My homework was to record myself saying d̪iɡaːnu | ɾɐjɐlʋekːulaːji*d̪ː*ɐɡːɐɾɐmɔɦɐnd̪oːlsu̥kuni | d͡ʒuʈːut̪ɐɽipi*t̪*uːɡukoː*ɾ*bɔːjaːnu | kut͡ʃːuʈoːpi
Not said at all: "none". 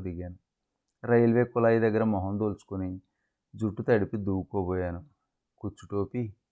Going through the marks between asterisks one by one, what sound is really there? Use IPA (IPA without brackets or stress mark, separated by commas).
d̪, d̪, none